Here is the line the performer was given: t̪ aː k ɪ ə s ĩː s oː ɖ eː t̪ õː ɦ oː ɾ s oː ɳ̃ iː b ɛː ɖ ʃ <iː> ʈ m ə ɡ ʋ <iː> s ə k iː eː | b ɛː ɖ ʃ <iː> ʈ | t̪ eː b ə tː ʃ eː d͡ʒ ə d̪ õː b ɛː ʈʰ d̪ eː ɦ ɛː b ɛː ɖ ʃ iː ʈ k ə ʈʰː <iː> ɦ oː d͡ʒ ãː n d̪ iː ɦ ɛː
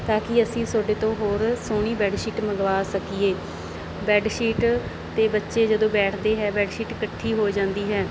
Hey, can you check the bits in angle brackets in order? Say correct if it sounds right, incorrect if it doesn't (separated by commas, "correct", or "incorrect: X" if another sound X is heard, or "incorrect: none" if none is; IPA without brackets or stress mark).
correct, incorrect: aː, correct, correct